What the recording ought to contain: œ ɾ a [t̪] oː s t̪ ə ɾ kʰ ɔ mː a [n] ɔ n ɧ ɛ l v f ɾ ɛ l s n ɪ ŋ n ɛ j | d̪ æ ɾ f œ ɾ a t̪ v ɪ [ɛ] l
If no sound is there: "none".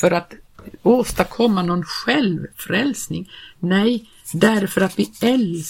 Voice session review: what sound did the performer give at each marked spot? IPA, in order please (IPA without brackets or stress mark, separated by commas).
t̪, n, ɛ